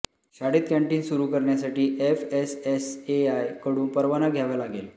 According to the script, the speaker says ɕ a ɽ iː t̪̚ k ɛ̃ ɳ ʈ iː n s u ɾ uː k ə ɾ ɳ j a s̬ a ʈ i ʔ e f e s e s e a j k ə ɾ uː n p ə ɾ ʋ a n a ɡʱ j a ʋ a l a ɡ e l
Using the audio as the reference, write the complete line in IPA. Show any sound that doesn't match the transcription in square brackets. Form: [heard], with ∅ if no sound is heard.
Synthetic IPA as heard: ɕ a ɽ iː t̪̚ k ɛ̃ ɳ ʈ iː n s u ɾ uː k ə ɾ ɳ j a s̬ a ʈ [iː] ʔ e f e s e s e a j k ə [ɽ] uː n p ə ɾ ʋ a n a ɡʱ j a ʋ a l a ɡ e l